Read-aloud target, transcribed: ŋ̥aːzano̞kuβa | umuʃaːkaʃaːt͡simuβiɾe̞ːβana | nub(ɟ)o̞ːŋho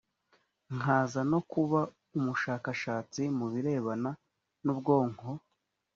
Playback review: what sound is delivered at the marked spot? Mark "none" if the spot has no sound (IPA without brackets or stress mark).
ɡ